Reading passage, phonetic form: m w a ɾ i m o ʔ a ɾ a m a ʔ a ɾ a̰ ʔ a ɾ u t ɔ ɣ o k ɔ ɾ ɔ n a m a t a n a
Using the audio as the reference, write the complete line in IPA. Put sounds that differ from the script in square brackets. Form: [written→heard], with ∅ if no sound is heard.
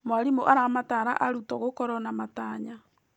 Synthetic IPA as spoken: m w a ɾ i m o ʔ a ɾ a m a [ʔ→t] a ɾ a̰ ʔ a ɾ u t ɔ ɣ o k ɔ ɾ ɔ n a m a t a [n→ɲ] a